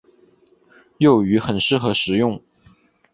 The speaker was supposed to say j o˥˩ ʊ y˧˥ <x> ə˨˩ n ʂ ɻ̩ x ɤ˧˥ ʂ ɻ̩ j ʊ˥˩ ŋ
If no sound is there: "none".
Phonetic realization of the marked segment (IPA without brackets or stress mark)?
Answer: x